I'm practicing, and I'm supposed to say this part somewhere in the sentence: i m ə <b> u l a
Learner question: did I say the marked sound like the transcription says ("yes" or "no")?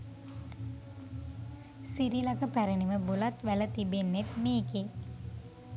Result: yes